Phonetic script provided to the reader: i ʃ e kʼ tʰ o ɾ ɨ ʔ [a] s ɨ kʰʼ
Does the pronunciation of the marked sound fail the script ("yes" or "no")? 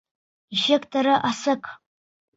no